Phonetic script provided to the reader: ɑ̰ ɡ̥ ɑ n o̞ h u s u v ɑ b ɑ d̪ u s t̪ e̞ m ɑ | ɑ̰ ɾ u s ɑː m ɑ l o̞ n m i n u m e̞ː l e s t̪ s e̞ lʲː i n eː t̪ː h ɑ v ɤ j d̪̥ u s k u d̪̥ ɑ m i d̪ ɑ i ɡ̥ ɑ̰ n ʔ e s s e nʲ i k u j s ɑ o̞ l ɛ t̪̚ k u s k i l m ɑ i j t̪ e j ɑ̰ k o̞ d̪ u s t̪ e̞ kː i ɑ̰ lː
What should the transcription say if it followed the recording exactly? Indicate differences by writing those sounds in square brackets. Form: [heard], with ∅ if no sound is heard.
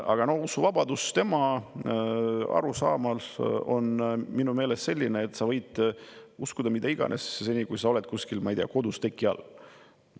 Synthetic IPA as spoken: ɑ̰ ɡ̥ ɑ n o̞ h u s u v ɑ b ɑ d̪ u s t̪ e̞ m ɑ | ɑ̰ ɾ u s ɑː m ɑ l o̞ n m i n u m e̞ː l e s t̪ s e̞ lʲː i n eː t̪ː [s] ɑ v ɤ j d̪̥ u s k u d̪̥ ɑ m i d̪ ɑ i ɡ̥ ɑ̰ n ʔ e s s e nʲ i k u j s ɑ o̞ l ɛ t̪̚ k u s k i l m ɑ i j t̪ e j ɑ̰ k o̞ d̪ u s t̪ e̞ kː i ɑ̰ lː